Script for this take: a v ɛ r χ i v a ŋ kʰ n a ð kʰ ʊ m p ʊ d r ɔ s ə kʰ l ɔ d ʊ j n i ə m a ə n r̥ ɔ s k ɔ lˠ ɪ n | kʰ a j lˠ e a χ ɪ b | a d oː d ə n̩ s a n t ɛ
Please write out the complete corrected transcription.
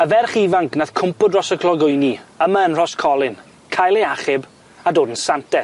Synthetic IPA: ə v ɛ r χ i v a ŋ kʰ n a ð kʰ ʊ m p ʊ d r ɔ s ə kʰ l ɔ ɡ ʊ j n i ə m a ə n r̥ ɔ s kʰ ɔ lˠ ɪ n | kʰ a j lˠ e a χ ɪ b | a d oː d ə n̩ s a n t ɛ